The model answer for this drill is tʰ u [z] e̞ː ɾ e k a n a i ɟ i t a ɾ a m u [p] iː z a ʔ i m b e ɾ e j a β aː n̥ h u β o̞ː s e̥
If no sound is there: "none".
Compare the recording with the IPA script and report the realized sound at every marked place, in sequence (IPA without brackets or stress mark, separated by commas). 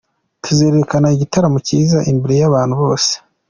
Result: z, c